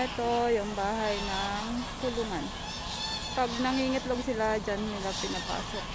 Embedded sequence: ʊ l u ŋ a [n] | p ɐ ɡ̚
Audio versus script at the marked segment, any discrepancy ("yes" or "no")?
no